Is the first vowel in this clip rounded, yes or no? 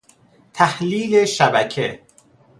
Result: no